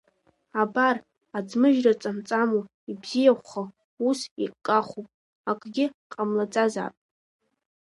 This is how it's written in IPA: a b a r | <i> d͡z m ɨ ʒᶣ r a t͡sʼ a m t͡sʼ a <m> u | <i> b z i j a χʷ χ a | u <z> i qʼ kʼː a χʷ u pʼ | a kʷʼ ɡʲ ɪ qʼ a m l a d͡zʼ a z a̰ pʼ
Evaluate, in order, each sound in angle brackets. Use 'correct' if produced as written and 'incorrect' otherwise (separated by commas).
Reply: incorrect, correct, correct, incorrect